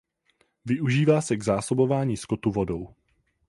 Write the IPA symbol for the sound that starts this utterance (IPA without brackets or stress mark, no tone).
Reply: v